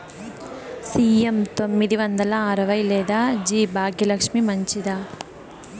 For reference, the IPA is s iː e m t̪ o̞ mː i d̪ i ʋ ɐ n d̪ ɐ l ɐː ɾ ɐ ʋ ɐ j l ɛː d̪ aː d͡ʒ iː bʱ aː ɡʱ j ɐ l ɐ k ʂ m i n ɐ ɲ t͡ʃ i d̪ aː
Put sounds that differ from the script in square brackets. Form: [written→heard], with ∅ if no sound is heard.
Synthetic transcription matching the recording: s iː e m t̪ o̞ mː i d̪ i ʋ ɐ n d̪ ɐ l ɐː ɾ ɐ ʋ ɐ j l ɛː d̪ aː d͡ʒ iː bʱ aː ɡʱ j ɐ l ɐ k ʂ m i [n→m] ɐ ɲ t͡ʃ i d̪ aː